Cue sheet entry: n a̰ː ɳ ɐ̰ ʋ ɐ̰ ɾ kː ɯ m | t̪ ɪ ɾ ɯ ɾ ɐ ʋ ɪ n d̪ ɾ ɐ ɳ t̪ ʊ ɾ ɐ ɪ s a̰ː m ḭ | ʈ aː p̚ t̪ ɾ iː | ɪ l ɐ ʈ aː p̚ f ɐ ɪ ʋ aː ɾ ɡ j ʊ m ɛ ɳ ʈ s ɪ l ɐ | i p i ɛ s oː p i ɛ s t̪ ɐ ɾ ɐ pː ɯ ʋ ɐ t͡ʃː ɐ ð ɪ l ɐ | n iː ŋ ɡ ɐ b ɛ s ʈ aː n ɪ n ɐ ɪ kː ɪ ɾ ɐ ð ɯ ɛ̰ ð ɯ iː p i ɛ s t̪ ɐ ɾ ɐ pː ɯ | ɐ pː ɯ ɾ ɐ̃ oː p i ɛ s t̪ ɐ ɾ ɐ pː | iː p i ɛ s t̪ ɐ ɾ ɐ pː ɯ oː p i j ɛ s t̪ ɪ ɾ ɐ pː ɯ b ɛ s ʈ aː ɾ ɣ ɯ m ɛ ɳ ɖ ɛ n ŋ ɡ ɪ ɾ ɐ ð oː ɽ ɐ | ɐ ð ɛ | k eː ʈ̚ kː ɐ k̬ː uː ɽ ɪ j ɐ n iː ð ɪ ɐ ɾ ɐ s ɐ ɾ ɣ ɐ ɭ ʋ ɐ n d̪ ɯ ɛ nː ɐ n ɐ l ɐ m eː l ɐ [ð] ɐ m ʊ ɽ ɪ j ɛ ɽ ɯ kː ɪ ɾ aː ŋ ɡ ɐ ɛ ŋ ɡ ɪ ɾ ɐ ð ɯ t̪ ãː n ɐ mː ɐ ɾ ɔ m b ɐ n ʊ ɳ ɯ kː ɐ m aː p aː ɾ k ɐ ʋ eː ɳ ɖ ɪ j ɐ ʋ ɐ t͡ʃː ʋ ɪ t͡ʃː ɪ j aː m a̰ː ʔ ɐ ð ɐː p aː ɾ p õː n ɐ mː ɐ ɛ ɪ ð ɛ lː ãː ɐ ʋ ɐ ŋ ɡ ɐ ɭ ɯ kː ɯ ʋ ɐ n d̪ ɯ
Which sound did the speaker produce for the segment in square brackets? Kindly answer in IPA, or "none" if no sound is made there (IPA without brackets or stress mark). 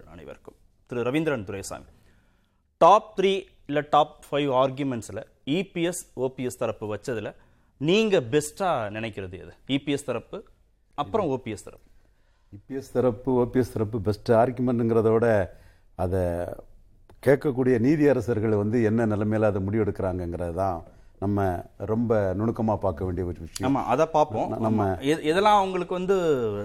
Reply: ð